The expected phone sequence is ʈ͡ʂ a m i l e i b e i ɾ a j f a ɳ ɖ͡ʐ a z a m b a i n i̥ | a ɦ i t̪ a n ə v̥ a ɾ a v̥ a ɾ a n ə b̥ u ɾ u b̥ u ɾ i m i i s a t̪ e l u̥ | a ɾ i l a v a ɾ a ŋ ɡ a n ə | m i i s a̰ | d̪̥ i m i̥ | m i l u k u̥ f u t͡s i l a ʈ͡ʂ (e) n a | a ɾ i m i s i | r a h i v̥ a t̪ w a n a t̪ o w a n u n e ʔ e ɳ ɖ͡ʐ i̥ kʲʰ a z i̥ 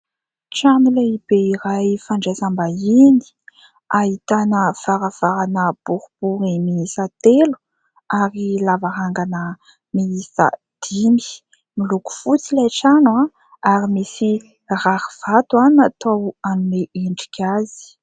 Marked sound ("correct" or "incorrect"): incorrect